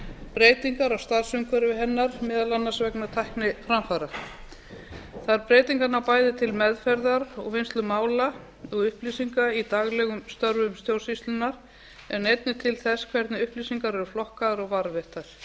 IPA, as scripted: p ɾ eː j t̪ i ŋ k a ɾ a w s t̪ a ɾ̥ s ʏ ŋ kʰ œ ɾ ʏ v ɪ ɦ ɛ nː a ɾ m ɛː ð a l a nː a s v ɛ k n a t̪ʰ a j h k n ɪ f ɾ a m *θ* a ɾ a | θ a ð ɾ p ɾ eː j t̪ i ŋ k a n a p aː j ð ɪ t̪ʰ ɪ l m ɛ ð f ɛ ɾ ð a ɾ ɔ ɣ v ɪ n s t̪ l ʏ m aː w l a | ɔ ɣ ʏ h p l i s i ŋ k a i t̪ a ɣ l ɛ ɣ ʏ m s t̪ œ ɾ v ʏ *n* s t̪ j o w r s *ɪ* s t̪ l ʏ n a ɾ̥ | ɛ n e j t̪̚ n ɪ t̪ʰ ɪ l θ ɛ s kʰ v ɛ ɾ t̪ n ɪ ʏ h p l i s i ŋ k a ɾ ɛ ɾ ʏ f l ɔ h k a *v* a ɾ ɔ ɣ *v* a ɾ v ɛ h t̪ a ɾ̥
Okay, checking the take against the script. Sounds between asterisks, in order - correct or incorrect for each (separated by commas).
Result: incorrect, incorrect, incorrect, incorrect, correct